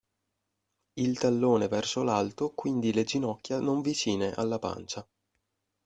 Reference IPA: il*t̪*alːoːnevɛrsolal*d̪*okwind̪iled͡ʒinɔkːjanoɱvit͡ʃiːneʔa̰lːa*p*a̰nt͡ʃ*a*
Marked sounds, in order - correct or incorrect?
correct, incorrect: t̪, correct, correct

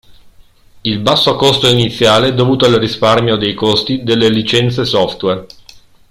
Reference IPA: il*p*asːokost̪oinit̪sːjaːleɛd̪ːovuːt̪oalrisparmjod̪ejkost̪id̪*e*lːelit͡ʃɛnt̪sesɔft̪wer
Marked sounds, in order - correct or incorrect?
incorrect: b, correct

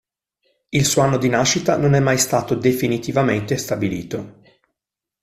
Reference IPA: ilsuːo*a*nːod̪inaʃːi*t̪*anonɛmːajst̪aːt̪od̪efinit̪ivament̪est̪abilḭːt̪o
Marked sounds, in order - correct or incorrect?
correct, correct

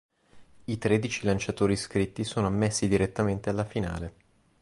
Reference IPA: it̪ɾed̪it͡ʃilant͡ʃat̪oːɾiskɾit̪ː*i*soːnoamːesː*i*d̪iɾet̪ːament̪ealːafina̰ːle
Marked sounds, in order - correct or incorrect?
correct, correct

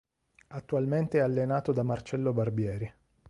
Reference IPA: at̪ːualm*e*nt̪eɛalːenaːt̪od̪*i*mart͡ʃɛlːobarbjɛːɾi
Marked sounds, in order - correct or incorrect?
correct, incorrect: a

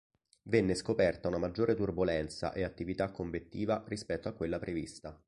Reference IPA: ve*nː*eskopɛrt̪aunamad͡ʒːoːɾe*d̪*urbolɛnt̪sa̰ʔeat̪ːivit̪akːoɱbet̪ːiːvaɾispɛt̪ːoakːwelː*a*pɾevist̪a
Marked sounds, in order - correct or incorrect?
correct, incorrect: t̪, correct

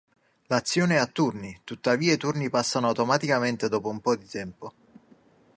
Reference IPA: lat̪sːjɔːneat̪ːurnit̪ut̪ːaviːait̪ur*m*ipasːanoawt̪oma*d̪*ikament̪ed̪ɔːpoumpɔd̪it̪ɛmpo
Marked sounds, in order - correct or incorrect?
incorrect: n, incorrect: t̪

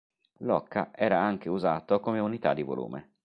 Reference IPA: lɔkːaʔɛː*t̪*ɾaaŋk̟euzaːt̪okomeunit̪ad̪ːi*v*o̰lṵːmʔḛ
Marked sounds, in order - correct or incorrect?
incorrect: none, correct

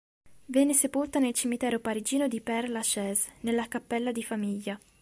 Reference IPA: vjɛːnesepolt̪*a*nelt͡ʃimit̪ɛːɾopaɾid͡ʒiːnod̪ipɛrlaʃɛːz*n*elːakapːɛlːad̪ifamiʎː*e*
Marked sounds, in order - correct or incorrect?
correct, correct, incorrect: a

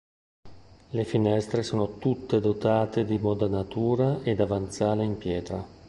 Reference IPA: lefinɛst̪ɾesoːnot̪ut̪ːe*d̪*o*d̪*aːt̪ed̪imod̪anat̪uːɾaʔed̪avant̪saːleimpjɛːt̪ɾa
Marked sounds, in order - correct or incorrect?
correct, incorrect: t̪

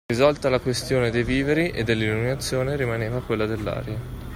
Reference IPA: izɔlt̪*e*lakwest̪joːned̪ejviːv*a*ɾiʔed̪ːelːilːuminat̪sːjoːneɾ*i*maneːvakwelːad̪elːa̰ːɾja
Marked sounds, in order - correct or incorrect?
incorrect: a, incorrect: e, correct

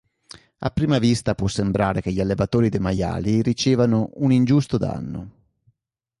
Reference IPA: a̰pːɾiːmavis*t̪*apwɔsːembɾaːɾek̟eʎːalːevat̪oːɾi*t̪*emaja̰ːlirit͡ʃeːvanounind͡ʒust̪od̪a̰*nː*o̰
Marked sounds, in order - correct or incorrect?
correct, incorrect: d̪, correct

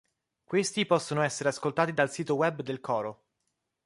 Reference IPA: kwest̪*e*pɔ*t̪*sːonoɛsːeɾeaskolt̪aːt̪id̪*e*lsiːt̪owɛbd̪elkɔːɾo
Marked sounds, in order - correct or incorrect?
incorrect: i, incorrect: none, incorrect: a

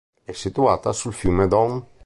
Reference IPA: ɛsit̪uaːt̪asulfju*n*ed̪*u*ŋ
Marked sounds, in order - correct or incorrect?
incorrect: m, incorrect: ɔ

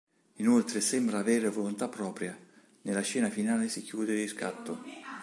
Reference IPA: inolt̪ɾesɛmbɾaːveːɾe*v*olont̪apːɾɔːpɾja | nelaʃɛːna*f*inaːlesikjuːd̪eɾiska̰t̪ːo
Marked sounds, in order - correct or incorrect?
correct, correct

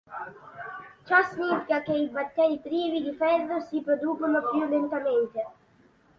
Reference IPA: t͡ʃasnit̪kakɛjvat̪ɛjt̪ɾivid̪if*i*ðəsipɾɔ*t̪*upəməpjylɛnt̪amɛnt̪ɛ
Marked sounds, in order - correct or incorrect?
incorrect: ɛ, incorrect: d̪

